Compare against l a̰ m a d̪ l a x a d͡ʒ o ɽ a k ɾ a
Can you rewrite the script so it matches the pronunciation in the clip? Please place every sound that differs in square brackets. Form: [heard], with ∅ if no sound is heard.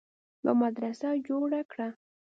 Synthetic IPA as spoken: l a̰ m a d̪ [ɾ] a [s] a d͡ʒ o ɽ a k [ɽ] a